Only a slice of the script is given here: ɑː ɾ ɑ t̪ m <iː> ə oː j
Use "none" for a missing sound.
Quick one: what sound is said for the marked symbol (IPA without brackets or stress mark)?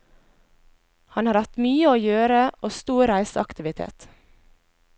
yː